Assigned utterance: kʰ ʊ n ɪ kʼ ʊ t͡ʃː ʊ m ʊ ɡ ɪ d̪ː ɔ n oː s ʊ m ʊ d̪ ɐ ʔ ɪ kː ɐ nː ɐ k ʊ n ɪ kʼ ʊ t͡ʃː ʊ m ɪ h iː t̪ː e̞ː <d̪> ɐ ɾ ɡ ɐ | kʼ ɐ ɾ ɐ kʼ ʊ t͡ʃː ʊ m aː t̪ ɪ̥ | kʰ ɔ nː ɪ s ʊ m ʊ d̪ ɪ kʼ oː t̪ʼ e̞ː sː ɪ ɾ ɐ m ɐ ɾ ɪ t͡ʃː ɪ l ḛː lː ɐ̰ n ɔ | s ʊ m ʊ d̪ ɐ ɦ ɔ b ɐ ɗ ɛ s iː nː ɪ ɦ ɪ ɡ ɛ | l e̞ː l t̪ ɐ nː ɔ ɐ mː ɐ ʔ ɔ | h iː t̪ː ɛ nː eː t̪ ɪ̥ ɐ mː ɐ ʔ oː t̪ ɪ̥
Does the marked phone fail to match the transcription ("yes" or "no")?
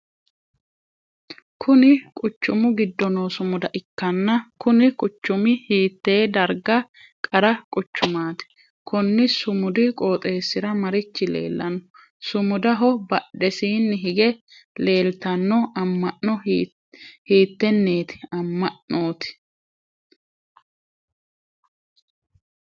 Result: no